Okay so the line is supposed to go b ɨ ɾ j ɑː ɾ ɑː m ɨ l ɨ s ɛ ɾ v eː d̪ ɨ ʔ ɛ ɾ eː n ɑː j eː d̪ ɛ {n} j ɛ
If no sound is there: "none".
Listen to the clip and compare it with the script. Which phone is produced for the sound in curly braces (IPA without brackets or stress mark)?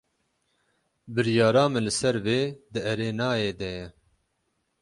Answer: none